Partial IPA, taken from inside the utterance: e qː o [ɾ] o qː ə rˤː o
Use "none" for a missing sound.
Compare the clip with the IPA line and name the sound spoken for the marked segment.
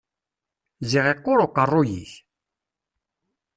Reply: ɾ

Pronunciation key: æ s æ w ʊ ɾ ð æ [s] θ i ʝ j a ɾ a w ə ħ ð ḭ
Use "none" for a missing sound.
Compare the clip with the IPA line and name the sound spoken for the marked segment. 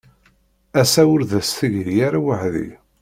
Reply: s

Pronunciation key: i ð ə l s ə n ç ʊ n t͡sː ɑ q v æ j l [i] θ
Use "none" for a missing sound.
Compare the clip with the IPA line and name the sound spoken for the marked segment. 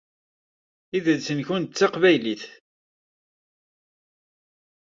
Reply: i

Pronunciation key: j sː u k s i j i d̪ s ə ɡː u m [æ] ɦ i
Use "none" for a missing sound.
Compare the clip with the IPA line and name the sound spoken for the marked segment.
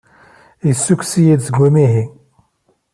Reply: i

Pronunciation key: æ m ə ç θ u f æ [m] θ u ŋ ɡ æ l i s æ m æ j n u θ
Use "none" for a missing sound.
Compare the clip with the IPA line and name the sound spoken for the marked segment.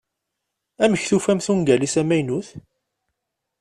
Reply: m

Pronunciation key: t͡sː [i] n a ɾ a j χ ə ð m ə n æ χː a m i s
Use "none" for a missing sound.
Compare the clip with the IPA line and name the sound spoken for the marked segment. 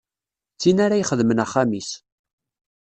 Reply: i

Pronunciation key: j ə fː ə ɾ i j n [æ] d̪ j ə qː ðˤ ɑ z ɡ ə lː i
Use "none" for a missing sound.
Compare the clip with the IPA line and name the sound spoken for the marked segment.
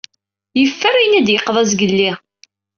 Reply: æ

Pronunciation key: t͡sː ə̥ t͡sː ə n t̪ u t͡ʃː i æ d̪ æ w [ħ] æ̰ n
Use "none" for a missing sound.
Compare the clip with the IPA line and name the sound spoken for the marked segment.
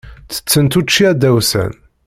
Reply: s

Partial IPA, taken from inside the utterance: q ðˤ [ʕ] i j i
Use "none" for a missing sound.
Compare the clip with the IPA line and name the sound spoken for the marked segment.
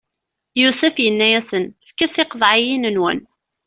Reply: ʕ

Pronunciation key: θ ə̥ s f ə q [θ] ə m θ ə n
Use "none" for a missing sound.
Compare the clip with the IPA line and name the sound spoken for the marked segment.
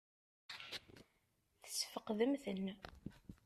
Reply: ð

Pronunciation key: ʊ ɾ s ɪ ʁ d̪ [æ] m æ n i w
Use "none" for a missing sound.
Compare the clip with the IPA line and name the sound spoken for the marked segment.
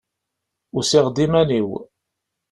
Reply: i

